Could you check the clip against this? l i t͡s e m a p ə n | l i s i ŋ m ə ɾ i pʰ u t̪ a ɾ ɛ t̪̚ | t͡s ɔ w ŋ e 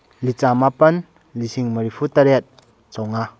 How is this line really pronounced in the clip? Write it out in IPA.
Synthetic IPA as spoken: l i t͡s a m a p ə n | l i s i ŋ m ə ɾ i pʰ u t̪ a ɾ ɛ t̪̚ | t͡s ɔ w ŋ a

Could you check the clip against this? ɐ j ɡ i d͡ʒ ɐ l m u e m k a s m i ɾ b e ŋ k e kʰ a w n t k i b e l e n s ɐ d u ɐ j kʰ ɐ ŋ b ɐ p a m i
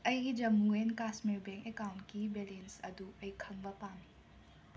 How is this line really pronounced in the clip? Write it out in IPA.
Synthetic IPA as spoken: ɐ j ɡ i d͡ʒ ɐ m u e n k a s m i ɾ b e ŋ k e k a w n t k i b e l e n s ɐ d u ɐ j kʰ ɐ ŋ b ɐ p a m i

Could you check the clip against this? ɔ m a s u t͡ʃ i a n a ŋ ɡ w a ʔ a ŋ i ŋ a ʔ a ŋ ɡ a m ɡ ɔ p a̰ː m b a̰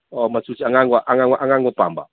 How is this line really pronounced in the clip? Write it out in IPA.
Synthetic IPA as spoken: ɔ m a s u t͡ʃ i a ŋ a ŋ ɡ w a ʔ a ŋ a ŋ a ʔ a ŋ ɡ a ŋ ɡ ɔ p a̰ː m b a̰

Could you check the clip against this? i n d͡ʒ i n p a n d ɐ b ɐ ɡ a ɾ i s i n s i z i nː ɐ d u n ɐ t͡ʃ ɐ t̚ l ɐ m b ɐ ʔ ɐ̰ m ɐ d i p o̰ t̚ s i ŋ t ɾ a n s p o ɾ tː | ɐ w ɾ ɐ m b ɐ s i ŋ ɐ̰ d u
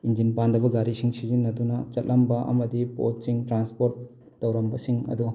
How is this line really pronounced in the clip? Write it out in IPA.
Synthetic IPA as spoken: i n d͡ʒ i n p a n d ɐ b ɐ ɡ a ɾ i s i ŋ s i z i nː ɐ d u n ɐ t͡ʃ ɐ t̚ l ɐ m b ɐ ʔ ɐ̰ m ɐ d i p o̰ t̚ s i ŋ t ɾ a n s p o ɾ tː | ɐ w ɾ ɐ m b ɐ s i ŋ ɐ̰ d u

